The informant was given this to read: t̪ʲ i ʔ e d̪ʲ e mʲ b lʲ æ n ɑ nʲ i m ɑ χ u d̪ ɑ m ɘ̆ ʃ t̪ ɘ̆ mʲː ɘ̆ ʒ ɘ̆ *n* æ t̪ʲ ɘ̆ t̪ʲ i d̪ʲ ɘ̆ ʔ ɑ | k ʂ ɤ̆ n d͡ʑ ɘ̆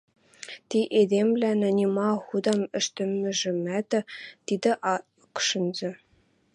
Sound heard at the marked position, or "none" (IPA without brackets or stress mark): m